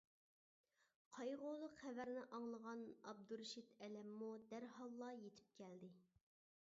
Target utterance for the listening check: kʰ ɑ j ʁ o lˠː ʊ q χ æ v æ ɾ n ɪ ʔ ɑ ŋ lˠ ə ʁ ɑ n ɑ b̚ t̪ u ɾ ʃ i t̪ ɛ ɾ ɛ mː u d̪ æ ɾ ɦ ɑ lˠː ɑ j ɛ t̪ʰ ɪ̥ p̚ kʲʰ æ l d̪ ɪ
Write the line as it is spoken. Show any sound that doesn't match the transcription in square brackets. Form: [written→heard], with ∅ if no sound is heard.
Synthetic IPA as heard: [kʰ→qʰ] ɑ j ʁ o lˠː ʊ q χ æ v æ ɾ n ɪ ʔ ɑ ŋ lˠ ə ʁ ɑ n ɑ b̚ [t̪→d̪] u ɾ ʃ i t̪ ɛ [ɾ→l] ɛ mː u d̪ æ ɾ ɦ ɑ lˠː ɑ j [ɛ→e] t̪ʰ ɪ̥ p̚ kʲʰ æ l d̪ ɪ